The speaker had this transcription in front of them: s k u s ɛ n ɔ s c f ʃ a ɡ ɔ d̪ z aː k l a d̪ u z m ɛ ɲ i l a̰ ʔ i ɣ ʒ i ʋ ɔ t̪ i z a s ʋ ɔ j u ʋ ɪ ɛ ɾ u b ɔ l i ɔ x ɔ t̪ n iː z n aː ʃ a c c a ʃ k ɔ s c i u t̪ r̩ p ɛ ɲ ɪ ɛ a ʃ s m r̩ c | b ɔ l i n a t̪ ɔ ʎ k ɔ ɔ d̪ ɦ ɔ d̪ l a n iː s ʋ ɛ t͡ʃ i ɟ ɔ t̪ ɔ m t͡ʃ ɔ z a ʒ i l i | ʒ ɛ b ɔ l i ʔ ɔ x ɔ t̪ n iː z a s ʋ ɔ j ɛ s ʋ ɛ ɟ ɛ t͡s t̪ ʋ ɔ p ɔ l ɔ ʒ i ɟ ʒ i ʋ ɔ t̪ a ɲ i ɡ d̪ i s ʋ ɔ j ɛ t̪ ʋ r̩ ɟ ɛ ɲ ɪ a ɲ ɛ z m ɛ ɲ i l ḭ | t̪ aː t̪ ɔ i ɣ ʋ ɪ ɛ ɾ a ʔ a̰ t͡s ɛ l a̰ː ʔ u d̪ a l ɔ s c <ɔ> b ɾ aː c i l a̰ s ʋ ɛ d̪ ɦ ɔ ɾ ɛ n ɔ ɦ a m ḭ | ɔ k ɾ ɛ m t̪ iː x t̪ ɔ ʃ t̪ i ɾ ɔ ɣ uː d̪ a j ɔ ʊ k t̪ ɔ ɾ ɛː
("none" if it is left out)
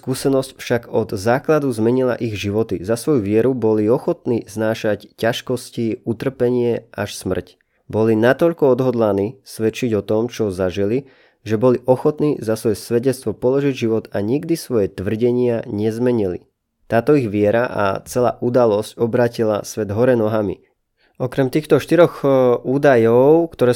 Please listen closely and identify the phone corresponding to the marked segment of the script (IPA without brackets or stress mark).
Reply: ɔ